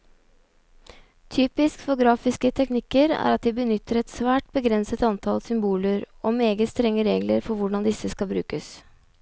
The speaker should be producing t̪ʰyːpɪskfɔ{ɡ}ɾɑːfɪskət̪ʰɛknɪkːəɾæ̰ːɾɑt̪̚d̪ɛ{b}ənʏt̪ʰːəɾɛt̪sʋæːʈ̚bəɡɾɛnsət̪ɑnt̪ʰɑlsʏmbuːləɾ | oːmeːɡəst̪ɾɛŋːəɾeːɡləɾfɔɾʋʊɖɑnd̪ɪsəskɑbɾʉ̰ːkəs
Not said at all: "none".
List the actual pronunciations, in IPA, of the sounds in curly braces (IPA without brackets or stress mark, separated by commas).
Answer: ɡ, b